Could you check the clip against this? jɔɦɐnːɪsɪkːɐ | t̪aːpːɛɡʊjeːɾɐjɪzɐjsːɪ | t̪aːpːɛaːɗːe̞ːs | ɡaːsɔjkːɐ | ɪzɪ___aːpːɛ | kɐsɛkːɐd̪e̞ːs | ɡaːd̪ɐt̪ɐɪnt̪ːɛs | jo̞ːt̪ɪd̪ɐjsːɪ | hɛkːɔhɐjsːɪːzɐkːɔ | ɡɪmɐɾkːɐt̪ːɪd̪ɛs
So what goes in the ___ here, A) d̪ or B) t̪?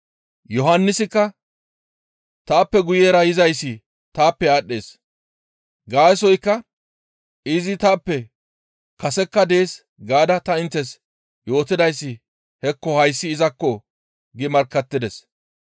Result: B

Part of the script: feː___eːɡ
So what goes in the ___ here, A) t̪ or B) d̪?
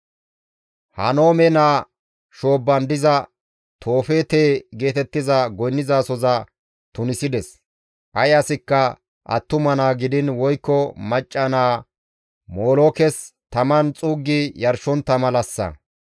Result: A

